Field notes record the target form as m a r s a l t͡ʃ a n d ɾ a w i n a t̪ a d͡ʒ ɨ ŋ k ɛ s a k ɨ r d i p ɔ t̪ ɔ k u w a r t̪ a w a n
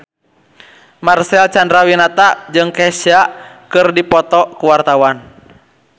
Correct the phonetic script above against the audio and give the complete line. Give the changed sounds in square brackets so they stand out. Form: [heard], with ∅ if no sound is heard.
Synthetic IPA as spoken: m a r s [ɛ] l t͡ʃ a n d ɾ a w i n a t̪ a d͡ʒ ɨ ŋ k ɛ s a k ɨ r d i p ɔ t̪ ɔ k u w a r t̪ a w a n